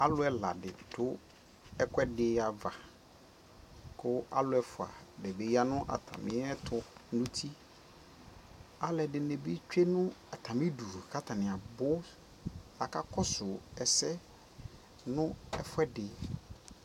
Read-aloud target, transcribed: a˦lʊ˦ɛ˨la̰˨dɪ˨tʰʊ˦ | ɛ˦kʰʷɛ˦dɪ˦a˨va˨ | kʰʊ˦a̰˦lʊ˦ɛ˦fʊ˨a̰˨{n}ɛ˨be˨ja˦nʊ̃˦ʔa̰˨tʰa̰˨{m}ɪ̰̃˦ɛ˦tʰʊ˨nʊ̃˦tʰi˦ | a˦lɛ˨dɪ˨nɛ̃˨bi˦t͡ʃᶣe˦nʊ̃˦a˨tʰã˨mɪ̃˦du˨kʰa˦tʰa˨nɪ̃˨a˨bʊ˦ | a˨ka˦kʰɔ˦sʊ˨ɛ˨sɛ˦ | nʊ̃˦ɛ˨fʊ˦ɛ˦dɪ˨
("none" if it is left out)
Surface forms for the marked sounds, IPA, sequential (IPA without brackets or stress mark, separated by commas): d, m